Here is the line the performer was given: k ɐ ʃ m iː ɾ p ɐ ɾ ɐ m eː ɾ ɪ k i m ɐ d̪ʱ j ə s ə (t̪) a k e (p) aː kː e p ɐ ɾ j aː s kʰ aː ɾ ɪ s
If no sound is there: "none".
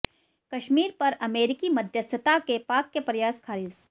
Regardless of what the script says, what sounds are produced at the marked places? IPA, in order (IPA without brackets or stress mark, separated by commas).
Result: t̪, p